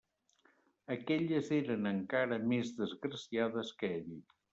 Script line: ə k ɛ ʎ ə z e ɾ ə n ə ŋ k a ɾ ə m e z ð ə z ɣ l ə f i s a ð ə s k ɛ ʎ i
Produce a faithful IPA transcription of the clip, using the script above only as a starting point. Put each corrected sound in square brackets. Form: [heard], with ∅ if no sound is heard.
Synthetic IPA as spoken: ə k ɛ ʎ ə z e ɾ ə n ə ŋ k a ɾ ə m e z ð ə z ɣ [ɾ] ə [s] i [∅] a ð ə s k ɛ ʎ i